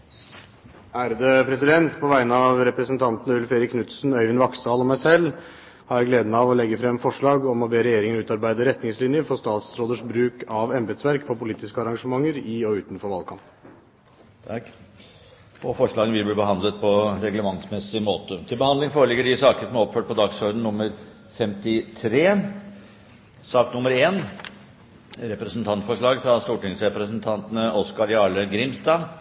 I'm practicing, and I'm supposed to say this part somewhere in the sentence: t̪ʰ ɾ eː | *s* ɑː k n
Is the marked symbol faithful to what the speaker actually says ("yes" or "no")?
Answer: yes